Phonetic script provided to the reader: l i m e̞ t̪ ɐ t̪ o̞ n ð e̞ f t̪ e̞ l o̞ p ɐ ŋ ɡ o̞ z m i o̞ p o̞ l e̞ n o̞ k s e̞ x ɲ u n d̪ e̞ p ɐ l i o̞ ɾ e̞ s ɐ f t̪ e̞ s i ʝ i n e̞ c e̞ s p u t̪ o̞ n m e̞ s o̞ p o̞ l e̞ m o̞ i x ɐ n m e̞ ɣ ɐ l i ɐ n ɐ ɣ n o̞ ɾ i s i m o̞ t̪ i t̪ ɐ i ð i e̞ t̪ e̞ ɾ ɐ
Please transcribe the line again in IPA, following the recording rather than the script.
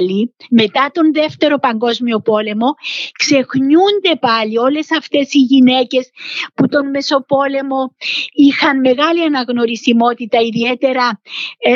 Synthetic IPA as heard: l i m e̞ t̪ ɐ t̪ o̞ n ð e̞ f t̪ e̞ ɾ o̞ p ɐ ŋ ɡ o̞ z m i o̞ p o̞ l e̞ m o̞ k s e̞ x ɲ u n d̪ e̞ p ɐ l i o̞ l e̞ s ɐ f t̪ e̞ s i ʝ i n e̞ c e̞ s p u t̪ o̞ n m e̞ s o̞ p o̞ l e̞ m o̞ i x ɐ n m e̞ ɣ ɐ l i ɐ n ɐ ɣ n o̞ ɾ i s i m o̞ t̪ i t̪ ɐ i ð i e̞ t̪ e̞ ɾ ɐ